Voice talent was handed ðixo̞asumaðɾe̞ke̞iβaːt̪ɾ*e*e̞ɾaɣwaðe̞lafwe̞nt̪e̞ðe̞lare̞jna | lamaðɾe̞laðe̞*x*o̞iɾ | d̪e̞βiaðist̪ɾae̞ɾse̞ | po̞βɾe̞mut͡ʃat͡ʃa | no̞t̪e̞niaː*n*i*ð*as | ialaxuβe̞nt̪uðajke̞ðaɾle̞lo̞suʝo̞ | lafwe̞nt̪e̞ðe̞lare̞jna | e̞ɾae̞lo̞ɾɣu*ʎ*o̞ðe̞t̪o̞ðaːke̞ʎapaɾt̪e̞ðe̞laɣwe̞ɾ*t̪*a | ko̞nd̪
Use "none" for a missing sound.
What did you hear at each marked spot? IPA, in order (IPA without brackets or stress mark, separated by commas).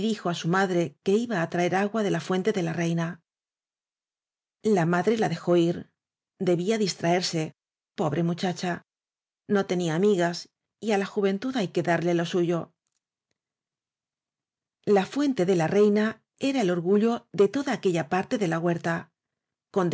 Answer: a, x, m, ɣ, ʎ, t̪